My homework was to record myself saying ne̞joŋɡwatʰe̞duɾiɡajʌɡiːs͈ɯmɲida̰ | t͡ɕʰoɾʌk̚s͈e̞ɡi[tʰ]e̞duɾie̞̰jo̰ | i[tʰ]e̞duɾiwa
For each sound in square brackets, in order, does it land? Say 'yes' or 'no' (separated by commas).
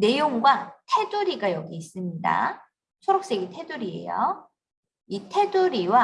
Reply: yes, yes